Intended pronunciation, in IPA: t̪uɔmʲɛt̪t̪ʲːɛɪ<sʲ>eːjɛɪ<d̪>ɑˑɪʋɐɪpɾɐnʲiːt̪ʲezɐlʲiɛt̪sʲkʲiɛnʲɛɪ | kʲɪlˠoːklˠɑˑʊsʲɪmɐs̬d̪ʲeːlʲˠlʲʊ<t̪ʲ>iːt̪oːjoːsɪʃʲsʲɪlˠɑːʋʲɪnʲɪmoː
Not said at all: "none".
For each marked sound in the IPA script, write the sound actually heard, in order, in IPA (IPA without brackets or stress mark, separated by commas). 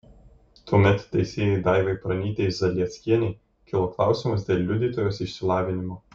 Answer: sʲ, d̪, d̪ʲ